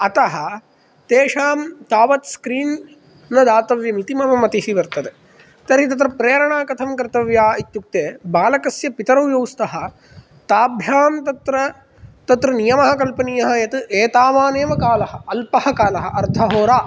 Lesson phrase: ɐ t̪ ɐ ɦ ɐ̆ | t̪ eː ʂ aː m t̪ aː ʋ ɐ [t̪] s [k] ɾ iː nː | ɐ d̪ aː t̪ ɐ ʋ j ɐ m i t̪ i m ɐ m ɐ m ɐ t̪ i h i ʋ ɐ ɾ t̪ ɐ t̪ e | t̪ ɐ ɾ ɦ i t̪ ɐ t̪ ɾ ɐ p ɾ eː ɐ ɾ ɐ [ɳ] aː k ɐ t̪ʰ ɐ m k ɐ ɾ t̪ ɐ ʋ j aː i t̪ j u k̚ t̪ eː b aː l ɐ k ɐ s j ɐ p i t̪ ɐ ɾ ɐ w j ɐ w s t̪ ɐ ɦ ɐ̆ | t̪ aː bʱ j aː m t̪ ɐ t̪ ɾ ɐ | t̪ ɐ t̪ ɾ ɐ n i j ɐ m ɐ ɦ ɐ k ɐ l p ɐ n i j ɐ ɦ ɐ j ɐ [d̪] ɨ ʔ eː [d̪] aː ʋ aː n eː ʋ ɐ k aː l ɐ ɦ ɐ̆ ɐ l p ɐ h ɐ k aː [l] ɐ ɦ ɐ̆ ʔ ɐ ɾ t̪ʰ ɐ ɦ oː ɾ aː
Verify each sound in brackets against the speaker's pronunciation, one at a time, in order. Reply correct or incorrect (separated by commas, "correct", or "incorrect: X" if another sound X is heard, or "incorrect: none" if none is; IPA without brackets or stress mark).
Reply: correct, correct, correct, incorrect: t̪, incorrect: t̪, correct